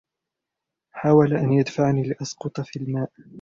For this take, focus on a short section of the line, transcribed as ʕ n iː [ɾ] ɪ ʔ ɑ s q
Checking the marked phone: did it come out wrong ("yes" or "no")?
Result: yes